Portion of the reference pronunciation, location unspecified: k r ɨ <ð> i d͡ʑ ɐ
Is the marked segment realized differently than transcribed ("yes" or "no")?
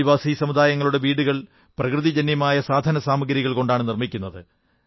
no